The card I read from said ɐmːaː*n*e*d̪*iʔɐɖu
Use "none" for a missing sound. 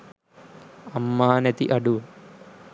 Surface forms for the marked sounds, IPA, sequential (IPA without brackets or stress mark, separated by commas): n, t̪